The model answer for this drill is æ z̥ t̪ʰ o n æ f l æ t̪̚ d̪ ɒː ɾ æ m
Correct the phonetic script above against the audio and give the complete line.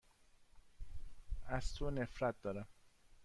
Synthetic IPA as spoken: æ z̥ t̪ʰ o n e f ɾ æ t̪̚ d̪ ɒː ɾ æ m